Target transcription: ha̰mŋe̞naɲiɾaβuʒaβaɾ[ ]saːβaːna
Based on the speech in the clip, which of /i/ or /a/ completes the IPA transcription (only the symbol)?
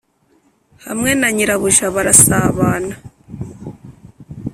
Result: a